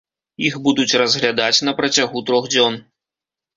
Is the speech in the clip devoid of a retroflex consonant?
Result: yes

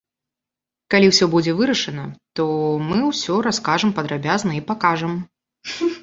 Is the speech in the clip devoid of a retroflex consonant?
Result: no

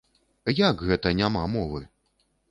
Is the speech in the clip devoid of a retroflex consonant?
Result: yes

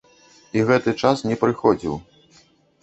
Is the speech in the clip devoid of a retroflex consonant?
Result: no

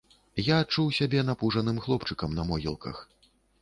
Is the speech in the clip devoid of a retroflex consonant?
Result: no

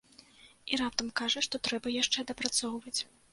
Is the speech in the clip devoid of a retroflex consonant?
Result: no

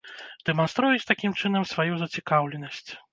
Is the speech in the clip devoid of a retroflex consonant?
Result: no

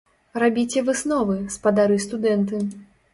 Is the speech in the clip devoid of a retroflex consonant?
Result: yes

